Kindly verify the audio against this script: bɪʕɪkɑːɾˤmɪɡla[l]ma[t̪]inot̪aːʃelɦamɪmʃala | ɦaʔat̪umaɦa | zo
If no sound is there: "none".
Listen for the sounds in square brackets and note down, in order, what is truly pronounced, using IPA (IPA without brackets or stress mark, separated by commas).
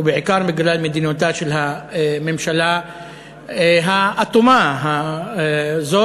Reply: l, d̪